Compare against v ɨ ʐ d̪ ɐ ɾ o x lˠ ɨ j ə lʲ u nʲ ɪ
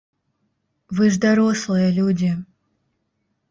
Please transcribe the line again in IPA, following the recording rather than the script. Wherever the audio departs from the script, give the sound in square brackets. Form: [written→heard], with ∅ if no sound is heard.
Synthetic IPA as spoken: v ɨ ʐ d̪ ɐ ɾ o [x→s] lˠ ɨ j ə lʲ u [nʲ→dʲ] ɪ